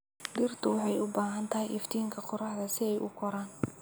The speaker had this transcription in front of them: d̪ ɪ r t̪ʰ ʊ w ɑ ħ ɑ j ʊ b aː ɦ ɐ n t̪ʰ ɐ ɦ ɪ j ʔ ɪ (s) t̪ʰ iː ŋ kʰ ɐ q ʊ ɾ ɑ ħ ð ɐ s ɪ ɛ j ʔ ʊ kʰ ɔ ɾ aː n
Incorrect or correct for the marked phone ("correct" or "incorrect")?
incorrect